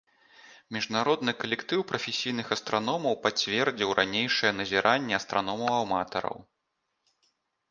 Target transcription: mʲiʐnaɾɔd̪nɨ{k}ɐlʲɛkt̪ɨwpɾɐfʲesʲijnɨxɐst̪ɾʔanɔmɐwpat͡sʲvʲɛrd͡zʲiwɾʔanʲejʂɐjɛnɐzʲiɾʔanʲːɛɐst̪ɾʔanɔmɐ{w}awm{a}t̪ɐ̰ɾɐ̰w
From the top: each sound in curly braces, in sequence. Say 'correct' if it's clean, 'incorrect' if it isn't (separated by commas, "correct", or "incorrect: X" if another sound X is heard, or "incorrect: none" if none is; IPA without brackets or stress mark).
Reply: correct, correct, correct